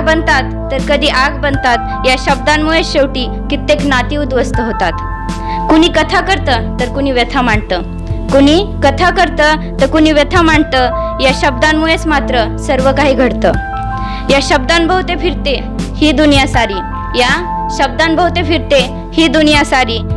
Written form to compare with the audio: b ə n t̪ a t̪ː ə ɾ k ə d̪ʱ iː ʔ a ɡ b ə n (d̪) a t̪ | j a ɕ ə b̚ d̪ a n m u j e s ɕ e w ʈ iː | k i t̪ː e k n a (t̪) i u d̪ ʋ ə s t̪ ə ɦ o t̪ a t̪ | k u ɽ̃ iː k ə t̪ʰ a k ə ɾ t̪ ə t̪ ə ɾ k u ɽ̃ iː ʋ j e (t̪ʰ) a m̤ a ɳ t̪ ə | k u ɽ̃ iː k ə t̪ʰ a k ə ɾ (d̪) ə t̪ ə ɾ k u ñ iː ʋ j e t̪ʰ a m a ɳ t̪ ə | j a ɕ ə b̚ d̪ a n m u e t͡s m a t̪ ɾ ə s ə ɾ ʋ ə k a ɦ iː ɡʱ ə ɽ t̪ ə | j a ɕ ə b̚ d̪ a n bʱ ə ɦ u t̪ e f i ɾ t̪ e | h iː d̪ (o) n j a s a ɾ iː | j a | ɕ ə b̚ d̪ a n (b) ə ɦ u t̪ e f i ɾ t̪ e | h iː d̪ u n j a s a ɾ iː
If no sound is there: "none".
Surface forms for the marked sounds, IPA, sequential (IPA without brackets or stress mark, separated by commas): t̪, t̪, t̪ʰ, t̪, u, b